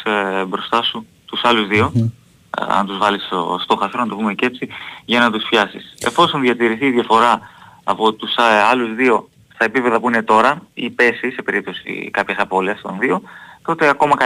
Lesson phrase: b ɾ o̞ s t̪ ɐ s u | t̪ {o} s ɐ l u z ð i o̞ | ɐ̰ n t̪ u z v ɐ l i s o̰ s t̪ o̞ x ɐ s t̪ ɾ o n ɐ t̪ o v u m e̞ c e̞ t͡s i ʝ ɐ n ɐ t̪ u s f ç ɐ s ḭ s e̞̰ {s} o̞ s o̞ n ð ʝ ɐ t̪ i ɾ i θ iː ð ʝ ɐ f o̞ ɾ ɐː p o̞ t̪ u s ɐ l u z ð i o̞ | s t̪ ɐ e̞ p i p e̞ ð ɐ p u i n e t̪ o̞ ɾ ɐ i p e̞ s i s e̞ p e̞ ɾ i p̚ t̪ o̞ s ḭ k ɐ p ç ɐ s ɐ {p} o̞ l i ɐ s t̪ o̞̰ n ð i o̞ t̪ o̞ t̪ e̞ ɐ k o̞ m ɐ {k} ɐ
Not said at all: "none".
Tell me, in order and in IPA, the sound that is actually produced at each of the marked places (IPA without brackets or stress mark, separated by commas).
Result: u, f, p, k